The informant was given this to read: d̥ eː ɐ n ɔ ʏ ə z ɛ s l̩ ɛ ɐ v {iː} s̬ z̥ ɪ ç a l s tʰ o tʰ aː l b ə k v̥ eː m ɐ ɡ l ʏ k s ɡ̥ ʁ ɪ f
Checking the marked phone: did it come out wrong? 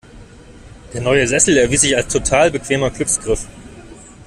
no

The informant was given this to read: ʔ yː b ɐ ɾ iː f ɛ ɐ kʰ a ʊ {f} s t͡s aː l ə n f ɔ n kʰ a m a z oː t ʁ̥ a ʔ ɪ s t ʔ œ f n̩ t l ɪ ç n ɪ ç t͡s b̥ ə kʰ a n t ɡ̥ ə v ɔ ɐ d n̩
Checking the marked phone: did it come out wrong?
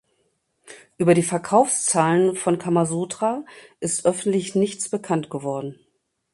no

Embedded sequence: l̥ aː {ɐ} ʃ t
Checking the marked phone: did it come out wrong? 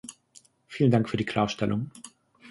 no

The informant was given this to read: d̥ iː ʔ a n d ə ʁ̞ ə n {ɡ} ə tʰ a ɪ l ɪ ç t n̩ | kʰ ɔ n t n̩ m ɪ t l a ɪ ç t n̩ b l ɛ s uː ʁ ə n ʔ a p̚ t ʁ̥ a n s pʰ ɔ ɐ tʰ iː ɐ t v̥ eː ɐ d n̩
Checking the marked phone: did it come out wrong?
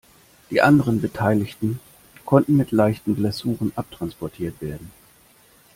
yes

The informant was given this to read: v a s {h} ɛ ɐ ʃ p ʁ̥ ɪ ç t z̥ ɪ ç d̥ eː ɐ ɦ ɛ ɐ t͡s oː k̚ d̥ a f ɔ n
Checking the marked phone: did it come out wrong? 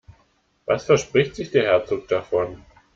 yes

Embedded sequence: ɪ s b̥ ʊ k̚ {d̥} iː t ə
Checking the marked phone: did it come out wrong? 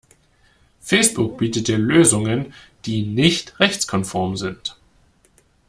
yes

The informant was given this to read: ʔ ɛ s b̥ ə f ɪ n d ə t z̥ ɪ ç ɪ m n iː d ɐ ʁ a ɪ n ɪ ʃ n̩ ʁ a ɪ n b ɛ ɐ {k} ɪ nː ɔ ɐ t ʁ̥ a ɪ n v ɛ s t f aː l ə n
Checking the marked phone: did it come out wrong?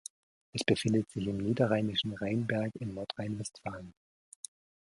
no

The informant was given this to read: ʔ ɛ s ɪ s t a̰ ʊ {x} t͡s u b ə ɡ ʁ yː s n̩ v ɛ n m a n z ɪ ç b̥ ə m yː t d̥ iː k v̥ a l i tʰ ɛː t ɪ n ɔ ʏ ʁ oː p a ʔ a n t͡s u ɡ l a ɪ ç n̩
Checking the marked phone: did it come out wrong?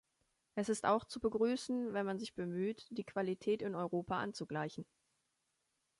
no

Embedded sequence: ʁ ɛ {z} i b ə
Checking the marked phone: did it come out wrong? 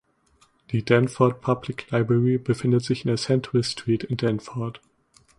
yes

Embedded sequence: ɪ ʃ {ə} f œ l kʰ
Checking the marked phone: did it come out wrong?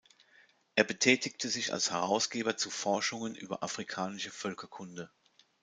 no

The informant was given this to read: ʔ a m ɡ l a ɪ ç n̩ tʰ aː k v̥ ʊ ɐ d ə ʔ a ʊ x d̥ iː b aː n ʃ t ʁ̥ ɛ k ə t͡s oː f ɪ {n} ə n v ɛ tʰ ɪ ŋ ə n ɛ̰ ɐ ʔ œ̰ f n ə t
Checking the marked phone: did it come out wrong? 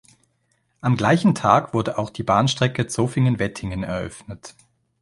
yes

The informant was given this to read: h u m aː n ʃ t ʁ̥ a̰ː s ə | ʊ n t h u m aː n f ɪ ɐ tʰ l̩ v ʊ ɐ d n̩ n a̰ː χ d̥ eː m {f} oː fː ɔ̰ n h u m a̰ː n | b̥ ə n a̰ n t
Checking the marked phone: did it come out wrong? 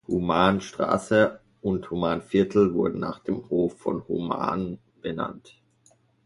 yes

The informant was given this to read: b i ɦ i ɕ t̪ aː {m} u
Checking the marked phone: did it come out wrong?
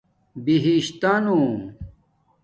yes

